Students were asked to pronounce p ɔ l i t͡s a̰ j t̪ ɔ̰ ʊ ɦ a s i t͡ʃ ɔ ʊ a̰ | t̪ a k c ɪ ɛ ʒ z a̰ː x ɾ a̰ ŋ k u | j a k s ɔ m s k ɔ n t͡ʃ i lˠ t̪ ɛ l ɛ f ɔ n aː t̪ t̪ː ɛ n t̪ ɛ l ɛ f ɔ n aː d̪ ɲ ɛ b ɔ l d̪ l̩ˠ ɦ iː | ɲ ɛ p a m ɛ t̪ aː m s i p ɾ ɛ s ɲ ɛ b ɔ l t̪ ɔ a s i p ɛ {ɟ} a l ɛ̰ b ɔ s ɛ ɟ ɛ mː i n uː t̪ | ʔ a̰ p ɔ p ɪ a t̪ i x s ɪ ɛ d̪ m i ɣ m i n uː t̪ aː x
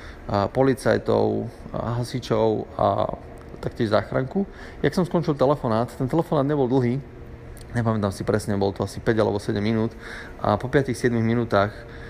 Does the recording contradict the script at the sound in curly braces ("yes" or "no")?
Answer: no